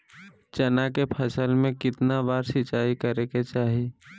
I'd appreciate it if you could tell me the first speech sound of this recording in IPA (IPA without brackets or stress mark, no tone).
t͡ʃ